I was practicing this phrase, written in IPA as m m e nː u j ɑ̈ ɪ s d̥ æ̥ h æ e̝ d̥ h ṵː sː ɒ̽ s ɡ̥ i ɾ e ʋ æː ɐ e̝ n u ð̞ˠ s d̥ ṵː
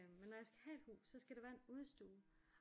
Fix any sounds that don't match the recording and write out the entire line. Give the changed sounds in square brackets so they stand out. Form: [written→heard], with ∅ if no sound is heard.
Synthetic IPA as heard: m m e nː [u→ɒ] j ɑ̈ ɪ s [d̥→ɡ̥] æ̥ h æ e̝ d̥ h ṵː sː ɒ̽ s ɡ̥ [i→æ] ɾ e ʋ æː ɐ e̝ n u ð̞ˠ s d̥ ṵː

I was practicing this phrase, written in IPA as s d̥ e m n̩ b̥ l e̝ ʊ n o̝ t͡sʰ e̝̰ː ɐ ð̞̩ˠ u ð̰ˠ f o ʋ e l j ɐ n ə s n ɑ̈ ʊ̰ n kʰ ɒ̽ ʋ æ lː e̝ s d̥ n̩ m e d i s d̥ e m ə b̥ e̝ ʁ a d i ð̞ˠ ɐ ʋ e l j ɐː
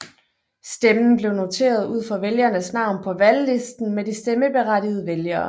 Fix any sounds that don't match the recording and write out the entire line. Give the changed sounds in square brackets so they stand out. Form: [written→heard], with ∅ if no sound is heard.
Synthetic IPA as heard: s d̥ e m n̩ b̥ l e̝ ʊ n o̝ t͡sʰ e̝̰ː ɐ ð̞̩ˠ u ð̰ˠ f [o→ɒ] ʋ e l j ɐ n ə s n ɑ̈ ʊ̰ n [kʰ→pʰ] ɒ̽ ʋ æ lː e̝ s d̥ n̩ m e d i s d̥ e m ə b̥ e̝ ʁ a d i ð̞ˠ [ɐ→ə] ʋ e l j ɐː

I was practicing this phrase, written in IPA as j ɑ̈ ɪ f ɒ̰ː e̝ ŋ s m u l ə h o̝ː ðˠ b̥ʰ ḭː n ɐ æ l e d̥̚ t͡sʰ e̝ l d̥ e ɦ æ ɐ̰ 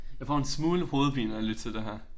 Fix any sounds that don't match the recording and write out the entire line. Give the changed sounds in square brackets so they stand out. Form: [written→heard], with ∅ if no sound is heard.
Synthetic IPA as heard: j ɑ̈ ɪ f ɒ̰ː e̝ [ŋ→n] s m [u→uː] l ə h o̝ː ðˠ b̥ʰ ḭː n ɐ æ l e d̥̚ t͡sʰ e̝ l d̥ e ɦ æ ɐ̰

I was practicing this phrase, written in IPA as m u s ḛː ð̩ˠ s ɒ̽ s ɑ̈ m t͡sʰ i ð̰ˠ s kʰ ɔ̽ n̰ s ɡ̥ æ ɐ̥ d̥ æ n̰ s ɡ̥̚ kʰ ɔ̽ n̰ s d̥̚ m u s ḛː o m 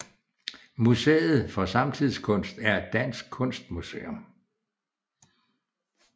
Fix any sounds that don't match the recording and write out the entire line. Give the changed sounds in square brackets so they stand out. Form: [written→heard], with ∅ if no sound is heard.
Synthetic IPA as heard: m u s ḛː ð̩ˠ [s→f] ɒ̽ s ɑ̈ m t͡sʰ i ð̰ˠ s kʰ ɔ̽ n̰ s [ɡ̥→d̥] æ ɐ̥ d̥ æ n̰ s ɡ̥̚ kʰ ɔ̽ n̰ s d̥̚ m u s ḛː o m

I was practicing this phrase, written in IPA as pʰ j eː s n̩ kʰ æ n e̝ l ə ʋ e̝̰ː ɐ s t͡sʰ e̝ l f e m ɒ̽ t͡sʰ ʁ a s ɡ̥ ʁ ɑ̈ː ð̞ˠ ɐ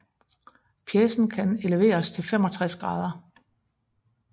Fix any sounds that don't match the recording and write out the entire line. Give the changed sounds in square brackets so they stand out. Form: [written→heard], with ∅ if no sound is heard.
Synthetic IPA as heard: pʰ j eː s n̩ kʰ æ n e̝ l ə ʋ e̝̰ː ɐ s t͡sʰ e̝ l f e m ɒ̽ t͡sʰ ʁ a s ɡ̥ ʁ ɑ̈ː ð̞ˠ ɐ

